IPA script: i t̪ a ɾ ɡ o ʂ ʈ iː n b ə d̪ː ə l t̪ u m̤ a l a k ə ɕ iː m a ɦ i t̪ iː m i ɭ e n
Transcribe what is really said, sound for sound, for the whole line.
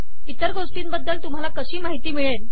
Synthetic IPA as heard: i t̪ ə ɾ ɡ o ʂ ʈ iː n b ə d̪ː ə l t̪ u m̤ a l a k ə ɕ iː m a ɦ i t̪ iː m i ɭ e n

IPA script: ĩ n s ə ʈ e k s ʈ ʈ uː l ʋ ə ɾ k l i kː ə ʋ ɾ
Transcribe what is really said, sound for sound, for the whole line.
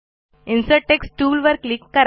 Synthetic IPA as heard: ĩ n s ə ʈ e k s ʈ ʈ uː l ʋ ə ɾ k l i kː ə ɾ

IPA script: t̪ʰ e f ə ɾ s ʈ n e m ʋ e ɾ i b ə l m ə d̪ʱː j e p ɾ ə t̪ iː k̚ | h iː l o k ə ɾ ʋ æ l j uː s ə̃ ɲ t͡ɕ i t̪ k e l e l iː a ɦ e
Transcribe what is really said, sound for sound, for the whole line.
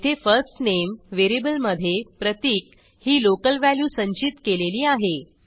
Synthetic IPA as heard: t̪ʰ e f ə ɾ s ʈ n e m ʋ e ɾ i b ə l m ə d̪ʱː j e p ɾ ə t̪ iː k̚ | h iː l o k ə l ʋ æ l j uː s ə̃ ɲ t͡ɕ i t̪ k e l e l iː a ɦ e

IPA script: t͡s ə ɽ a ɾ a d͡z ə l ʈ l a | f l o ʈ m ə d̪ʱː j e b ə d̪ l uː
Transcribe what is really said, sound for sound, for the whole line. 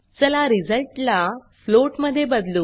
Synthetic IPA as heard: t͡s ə l a ɾ i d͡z ə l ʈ l a | f l o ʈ m ə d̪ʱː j e b ə d̪ l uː

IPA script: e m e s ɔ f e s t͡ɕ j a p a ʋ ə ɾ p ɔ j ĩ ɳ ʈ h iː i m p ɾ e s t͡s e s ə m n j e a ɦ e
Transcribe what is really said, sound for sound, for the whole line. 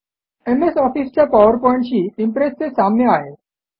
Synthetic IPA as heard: e m e s ɔ f i s t͡ɕ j a p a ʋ ə ɾ p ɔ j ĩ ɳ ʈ ɕ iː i m p ɾ e s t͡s e s a m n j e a ɦ e

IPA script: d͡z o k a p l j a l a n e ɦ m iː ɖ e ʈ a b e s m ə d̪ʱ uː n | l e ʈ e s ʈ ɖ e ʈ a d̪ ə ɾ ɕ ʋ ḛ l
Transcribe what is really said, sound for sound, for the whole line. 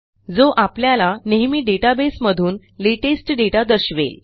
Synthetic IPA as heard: d͡z o ʔ a p l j a l a n e ɦ m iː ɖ e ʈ a b e s m ə d̪ʱ uː n | l e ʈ e s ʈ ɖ e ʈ a d̪ ə ɾ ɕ ʋ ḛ l

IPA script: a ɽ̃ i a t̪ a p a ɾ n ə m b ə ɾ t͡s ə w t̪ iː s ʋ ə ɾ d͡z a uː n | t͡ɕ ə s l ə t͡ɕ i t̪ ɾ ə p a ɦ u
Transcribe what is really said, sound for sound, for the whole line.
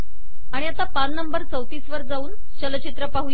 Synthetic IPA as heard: a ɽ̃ i a t̪ a p a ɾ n ə m b ə ɾ t͡s ə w t̪ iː s ʋ ə ɾ d͡z a uː n | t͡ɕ ə l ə t͡ɕ i t̪ ɾ ə p a ɦ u

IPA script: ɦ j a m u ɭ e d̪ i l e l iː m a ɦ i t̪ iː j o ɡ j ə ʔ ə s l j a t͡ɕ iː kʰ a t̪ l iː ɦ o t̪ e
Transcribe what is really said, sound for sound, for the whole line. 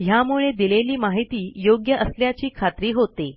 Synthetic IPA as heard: ɦ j a m u ɭ e d̪ i l e l iː m a ɦ i t̪ iː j o ɡ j ə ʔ ə s l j a t͡ɕ iː kʰ a t̪ ɾ iː ɦ o t̪ e

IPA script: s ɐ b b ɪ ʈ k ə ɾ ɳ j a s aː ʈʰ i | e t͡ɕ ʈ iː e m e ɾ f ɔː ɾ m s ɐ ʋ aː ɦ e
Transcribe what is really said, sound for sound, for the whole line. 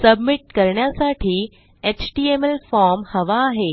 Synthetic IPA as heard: s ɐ b m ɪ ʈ k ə ɾ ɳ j a s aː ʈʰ i | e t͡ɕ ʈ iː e m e l f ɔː ɾ m h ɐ ʋ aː ɦ e

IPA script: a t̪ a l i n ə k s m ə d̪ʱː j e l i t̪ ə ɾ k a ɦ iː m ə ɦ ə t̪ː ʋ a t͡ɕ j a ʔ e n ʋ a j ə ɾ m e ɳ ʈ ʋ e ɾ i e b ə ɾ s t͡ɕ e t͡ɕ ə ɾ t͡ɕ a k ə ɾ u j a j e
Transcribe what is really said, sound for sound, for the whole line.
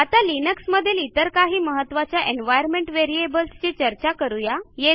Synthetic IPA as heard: a t̪ a l i n ə k s m ə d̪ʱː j e l i t̪ ə ɾ k a ɦ iː m ə ɦ ə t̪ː ʋ a t͡ɕ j a ʔ e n ʋ a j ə ɾ m e ɳ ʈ ʋ e ɾ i e b ə l s t͡ɕ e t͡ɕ ə ɾ t͡ɕ a k ə ɾ u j a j e

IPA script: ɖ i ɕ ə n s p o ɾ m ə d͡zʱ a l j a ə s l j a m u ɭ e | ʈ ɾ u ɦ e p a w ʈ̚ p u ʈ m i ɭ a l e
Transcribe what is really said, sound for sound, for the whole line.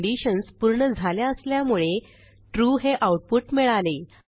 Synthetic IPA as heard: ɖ i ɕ ə n s p u ɾ ɳ ə d͡zʱ a l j a ə s l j a m u ɭ e | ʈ ɾ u ɦ e ʔ a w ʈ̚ p u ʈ m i ɭ a l e

